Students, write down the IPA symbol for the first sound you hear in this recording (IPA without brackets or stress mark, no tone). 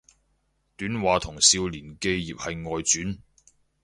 t̪